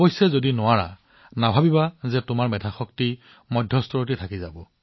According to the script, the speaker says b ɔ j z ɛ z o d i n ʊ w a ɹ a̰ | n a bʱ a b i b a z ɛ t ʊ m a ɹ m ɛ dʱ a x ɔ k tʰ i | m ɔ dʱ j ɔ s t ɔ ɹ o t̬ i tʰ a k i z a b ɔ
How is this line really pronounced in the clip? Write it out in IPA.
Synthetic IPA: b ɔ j s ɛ z o d i n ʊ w a ɹ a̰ | n a bʱ a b i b a z ɛ t ʊ m a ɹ m ɛ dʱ a x ɔ k t i | m ɔ dʱ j ɔ s t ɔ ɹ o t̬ i tʰ a k i z a b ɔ